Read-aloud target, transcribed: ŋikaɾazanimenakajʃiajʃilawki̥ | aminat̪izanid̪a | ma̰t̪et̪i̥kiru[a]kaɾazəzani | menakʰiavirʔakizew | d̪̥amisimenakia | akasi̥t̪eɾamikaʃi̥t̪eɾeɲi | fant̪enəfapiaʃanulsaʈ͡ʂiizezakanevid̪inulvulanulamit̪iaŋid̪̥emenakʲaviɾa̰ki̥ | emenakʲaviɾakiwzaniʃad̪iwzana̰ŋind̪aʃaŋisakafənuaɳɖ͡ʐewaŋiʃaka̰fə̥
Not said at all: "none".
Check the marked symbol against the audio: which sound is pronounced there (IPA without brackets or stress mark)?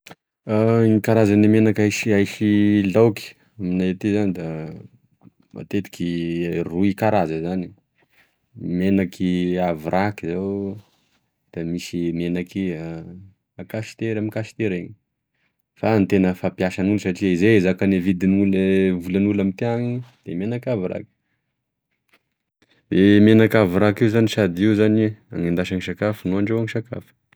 i